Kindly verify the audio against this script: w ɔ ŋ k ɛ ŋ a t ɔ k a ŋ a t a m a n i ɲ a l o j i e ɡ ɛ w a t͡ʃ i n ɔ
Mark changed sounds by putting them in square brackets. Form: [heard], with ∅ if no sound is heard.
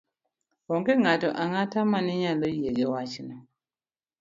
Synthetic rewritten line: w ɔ ŋ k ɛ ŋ a t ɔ [ʔ] a ŋ a t a m a n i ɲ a l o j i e ɡ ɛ w a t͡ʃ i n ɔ